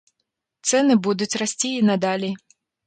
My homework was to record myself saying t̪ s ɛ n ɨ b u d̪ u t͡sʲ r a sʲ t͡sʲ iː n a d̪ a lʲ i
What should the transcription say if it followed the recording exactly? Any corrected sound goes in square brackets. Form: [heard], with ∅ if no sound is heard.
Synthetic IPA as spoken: t̪ s ɛ n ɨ b u d̪ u t͡sʲ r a sʲ t͡sʲ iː n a d̪ a lʲ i